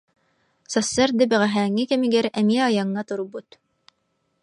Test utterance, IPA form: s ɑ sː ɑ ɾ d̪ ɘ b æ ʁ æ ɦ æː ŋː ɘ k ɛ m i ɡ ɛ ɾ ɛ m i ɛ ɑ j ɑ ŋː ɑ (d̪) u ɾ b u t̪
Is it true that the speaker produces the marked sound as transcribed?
no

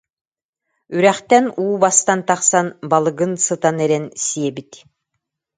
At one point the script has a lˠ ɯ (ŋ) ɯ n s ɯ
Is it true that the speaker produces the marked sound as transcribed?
no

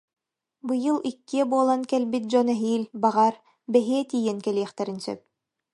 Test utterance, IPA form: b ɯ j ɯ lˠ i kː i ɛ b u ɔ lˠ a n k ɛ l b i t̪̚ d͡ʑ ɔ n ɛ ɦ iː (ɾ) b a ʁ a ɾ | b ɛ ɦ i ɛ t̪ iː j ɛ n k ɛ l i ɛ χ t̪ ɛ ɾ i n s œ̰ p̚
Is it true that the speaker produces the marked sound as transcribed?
no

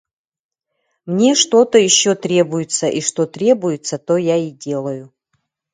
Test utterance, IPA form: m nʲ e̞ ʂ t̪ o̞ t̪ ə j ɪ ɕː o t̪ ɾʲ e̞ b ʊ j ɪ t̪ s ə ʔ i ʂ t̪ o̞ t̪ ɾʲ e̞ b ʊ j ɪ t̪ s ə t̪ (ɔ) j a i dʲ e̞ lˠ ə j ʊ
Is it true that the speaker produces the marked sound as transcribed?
no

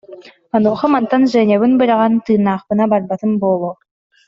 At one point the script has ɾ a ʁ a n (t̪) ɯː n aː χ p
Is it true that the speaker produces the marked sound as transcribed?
yes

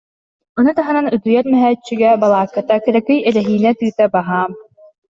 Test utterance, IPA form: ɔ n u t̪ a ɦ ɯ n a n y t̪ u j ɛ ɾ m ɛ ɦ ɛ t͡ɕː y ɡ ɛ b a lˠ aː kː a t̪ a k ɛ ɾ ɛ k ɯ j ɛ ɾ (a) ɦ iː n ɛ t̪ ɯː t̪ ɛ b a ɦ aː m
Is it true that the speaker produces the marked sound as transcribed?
no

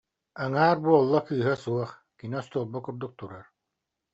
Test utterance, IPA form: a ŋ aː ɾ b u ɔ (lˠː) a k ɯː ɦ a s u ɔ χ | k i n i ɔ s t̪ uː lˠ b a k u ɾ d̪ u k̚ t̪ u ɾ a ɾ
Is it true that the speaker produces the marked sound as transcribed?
yes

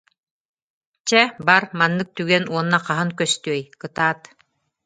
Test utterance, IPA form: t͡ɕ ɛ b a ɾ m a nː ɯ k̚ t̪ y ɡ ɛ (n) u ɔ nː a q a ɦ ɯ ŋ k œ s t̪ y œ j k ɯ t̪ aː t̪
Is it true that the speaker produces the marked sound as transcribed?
yes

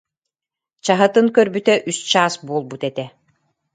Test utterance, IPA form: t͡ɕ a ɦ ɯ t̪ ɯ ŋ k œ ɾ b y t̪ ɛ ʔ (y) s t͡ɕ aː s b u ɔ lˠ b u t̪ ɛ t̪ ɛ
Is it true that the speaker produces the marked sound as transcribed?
yes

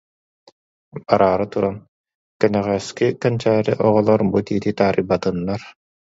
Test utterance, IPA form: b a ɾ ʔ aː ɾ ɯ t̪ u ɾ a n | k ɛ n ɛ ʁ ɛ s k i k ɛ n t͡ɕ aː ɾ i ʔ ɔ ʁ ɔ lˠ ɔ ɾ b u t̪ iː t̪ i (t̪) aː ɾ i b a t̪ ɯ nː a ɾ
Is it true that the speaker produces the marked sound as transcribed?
yes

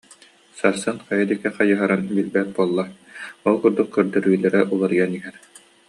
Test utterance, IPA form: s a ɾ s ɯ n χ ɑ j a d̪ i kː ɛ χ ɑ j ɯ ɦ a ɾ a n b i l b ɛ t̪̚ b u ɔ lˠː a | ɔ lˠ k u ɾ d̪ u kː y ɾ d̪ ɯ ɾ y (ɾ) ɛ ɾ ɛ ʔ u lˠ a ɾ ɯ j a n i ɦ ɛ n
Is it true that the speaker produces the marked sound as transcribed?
no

